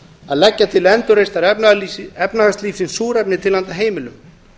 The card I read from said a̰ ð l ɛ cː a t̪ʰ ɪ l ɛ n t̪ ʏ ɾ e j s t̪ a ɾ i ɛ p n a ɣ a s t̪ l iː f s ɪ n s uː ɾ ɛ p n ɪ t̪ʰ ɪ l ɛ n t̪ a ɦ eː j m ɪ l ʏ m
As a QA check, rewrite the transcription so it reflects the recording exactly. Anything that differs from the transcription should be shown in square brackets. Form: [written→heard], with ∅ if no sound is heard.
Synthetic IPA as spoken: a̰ ð l ɛ cː a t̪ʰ ɪ l ɛ n t̪ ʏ ɾ e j s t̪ a ɾ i ɛ p n a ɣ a s t̪ l iː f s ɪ n s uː ɾ ɛ p n ɪ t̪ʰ ɪ l [ɛ→a] n t̪ a ɦ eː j m ɪ l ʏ m